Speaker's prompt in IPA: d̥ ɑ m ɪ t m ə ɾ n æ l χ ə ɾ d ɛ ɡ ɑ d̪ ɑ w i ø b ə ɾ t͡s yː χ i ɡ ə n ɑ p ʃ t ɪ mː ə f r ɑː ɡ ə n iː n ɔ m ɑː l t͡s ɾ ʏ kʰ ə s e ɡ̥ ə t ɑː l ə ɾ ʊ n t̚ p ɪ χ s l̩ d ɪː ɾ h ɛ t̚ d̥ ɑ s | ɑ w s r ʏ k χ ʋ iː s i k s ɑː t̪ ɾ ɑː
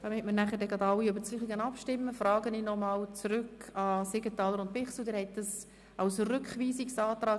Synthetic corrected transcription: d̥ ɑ m ɪ t m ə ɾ n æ χ ə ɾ d ɛ ɡ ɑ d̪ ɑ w i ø b ə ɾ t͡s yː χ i ɡ ə n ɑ p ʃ t ɪ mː ə f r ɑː ɡ ə n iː n ɔ m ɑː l t͡s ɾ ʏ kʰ ɑ s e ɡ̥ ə t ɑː l ə ɾ ʊ n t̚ p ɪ χ s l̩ d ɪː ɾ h ɛ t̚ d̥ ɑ s | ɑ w s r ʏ k χ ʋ iː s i k s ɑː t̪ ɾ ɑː